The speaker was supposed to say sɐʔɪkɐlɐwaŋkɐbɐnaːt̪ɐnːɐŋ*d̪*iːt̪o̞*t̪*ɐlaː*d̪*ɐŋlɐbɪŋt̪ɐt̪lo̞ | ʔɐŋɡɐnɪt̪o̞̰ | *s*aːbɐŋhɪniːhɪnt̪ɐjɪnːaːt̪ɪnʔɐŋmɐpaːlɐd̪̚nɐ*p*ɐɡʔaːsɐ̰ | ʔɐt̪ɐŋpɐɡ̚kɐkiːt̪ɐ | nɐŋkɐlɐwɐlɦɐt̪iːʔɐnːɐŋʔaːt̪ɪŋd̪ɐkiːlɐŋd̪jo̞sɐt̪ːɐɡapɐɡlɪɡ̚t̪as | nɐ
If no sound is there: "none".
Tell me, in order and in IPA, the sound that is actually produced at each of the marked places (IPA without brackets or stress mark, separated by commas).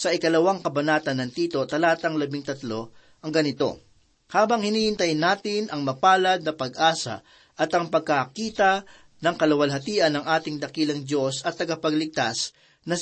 t̪, t̪, t̪, h, p